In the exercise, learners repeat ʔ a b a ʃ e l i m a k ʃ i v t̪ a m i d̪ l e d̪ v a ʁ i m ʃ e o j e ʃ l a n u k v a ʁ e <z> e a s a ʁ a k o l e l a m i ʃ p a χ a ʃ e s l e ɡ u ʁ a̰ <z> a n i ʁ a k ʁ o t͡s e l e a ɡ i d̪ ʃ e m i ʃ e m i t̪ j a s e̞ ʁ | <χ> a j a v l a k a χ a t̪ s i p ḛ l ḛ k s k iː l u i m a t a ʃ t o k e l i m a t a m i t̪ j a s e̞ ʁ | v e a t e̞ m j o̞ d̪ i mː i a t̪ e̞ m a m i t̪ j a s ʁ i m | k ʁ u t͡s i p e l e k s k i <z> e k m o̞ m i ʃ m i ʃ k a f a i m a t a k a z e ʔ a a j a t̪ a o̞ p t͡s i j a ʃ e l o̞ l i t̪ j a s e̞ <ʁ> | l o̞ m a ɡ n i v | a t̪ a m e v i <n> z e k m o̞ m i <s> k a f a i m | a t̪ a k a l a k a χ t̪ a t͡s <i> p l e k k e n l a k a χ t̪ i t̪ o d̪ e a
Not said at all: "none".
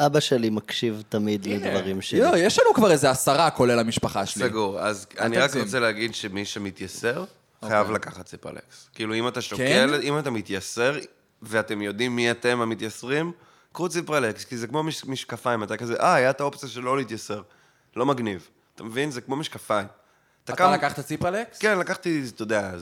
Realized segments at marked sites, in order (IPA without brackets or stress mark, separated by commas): z, z, χ, z, ʁ, n, ʃ, i